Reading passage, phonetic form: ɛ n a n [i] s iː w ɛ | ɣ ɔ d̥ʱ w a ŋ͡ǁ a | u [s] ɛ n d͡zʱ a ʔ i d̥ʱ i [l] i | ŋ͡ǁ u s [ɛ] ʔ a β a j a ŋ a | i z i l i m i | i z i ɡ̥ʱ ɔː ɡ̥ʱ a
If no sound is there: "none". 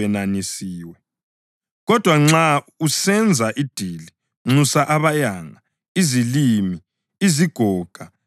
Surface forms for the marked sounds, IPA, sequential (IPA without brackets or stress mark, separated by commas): i, s, l, a